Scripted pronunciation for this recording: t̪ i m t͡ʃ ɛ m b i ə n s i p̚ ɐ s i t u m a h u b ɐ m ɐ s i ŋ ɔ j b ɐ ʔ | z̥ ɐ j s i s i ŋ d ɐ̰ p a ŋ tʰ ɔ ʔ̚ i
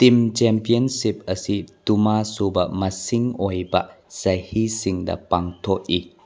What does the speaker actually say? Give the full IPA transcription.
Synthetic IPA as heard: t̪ i m t͡ʃ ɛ m p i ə n s i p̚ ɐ s i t u m a s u b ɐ m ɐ s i ŋ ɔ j b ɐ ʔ | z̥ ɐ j h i s i ŋ d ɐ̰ p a ŋ tʰ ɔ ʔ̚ i